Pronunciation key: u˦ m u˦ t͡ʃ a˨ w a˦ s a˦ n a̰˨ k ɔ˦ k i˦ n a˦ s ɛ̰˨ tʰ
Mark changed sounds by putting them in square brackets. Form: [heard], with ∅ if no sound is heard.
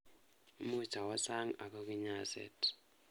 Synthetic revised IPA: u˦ m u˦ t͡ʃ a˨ w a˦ s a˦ [ŋ] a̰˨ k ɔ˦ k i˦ [ɲ] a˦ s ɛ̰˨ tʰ